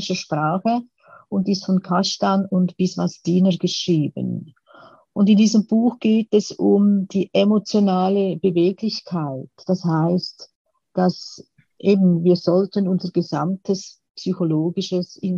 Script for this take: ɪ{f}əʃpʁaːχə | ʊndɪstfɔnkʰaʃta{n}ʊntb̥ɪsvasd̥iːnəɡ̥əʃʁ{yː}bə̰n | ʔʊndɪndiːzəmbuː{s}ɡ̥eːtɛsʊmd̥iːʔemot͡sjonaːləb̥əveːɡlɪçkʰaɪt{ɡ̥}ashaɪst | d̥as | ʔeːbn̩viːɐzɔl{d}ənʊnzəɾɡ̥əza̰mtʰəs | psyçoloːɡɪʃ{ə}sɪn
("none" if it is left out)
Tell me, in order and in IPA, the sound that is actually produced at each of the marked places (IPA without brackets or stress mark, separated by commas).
ʃ, n, iː, x, d̥, t, ə